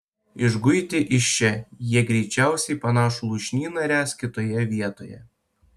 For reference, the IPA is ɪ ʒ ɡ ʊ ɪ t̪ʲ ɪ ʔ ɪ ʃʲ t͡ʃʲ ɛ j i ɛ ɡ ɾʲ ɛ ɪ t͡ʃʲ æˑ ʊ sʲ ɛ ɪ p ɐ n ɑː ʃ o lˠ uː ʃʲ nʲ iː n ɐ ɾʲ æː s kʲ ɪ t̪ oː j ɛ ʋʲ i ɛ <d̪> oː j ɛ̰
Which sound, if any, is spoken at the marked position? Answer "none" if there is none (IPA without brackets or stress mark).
t̪